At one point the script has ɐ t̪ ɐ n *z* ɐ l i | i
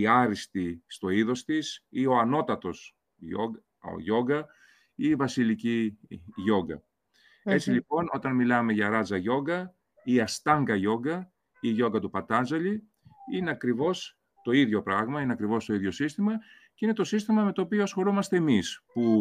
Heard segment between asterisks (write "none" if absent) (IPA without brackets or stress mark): z